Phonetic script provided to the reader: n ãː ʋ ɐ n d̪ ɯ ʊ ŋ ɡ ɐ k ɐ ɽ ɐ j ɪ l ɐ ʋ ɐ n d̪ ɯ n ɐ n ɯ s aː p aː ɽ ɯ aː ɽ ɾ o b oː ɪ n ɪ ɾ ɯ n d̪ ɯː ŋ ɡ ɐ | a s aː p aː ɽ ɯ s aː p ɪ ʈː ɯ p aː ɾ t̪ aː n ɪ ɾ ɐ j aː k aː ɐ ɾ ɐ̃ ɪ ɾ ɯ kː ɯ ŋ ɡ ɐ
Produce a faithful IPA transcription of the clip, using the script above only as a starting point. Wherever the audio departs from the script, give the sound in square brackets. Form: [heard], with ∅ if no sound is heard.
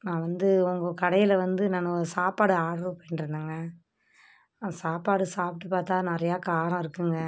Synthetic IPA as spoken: n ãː ʋ ɐ n d̪ ɯ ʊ ŋ ɡ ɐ k ɐ ɽ ɐ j ɪ l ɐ ʋ ɐ n d̪ ɯ n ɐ n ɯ s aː p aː ɽ ɯ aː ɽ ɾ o [p] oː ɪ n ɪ ɾ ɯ n d̪ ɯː ŋ ɡ ɐ | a s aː p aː ɽ ɯ s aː p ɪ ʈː ɯ p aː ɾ t̪ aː n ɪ ɾ ɐ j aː k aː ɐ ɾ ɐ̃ ɪ ɾ ɯ kː ɯ ŋ ɡ ɐ